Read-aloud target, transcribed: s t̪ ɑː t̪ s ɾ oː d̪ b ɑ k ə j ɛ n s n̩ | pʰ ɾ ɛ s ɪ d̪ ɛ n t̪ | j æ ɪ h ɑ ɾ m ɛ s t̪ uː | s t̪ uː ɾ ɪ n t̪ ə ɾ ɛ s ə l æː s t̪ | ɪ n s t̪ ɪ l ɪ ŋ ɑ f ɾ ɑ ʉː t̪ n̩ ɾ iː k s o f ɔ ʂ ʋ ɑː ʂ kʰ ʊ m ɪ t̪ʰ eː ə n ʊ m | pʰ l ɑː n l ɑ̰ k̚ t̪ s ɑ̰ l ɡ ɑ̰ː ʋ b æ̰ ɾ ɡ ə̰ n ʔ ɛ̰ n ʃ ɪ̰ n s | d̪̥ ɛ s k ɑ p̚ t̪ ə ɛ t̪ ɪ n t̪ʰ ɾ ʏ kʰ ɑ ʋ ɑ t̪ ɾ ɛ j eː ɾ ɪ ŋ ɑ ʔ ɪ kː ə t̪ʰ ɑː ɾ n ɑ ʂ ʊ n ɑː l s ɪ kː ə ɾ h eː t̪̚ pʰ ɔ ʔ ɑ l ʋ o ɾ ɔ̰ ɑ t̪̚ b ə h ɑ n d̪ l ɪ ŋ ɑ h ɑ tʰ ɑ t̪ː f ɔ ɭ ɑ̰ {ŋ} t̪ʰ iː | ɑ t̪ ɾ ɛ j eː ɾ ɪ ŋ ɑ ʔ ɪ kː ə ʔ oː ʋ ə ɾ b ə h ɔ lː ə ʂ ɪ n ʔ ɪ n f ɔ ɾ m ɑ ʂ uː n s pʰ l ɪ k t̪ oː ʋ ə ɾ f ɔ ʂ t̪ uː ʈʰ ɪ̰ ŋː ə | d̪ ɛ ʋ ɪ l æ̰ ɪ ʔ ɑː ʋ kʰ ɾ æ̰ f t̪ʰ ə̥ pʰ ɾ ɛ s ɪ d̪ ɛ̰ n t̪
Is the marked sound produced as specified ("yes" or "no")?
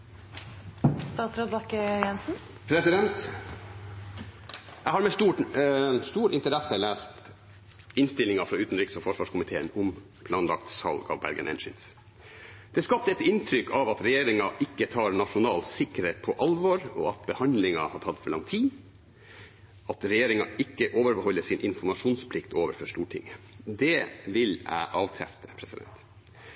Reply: yes